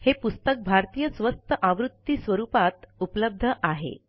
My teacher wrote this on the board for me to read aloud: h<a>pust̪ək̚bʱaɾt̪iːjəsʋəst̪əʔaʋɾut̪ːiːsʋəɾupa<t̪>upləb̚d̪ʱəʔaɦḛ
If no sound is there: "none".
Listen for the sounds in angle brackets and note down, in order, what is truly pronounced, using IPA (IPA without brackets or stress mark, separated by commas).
e, t̪